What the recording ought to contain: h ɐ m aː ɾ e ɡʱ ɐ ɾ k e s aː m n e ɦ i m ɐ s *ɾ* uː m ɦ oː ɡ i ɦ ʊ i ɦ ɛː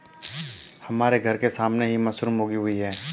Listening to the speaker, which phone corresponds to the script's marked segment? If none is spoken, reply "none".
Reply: ɾ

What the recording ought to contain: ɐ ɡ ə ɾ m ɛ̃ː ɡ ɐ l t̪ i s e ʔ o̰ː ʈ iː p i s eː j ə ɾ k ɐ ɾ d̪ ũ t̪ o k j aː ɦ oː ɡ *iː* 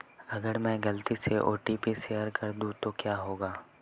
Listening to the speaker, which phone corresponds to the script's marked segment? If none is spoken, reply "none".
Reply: aː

